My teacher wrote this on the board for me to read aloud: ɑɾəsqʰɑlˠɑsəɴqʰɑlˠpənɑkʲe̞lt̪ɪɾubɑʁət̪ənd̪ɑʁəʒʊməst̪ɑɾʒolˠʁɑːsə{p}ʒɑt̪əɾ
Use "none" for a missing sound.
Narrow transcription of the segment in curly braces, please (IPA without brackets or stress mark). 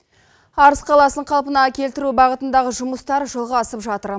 p